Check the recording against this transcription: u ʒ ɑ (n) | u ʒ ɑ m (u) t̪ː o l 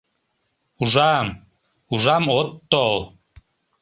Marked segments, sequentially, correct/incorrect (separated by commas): incorrect, incorrect